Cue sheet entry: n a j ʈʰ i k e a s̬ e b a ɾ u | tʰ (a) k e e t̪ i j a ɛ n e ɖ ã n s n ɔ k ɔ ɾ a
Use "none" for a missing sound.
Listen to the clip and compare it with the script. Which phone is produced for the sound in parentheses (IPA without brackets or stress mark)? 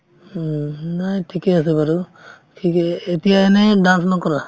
i